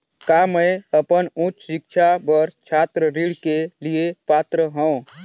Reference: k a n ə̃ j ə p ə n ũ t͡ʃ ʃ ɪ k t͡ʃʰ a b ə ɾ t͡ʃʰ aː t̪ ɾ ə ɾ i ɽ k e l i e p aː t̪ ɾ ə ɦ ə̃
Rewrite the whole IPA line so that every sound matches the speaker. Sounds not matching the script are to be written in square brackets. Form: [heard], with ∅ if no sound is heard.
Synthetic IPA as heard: k a [m] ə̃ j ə p ə n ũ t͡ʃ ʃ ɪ k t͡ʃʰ a b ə ɾ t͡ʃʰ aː t̪ ɾ ə ɾ i ɽ k e l i e p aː t̪ ɾ ə ɦ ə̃